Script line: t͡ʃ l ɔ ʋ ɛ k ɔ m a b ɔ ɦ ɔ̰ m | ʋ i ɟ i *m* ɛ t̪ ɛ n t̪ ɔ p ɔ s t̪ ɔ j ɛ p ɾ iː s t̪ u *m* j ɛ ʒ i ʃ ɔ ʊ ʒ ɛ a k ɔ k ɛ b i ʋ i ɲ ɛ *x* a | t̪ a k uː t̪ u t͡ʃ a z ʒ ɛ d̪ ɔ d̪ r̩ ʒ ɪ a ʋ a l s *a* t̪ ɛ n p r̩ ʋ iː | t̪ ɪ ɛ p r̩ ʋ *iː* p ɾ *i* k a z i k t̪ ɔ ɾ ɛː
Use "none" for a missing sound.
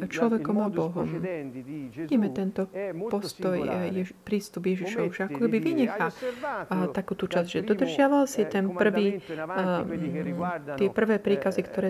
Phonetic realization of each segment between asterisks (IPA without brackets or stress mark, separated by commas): m, b, x, i, ɛː, iː